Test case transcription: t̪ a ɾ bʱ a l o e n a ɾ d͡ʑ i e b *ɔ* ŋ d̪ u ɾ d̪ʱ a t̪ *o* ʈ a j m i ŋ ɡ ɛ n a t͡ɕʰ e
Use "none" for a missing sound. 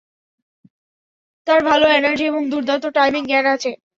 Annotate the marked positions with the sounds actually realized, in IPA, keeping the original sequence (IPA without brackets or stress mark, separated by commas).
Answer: o, o